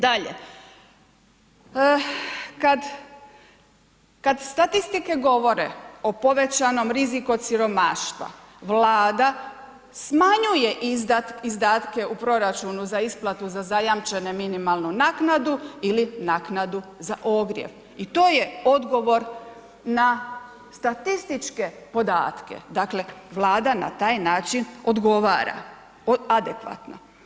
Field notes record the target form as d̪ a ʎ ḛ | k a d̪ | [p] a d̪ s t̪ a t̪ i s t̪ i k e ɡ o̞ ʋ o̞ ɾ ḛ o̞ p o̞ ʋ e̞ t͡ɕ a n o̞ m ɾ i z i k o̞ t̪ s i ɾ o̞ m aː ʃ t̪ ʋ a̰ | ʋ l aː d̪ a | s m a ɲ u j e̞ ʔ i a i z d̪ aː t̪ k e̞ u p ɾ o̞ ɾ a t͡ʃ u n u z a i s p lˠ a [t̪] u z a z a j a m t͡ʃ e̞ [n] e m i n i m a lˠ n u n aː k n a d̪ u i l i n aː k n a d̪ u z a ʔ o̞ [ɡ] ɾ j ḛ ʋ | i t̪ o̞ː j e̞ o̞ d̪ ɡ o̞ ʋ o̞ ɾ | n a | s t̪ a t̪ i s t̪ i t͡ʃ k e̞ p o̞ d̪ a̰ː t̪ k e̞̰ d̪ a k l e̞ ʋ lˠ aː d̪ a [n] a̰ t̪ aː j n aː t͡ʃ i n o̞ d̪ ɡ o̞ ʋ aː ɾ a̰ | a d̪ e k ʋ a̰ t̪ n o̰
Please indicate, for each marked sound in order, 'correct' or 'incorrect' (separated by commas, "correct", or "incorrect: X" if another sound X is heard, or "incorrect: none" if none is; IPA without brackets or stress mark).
incorrect: k, correct, correct, correct, correct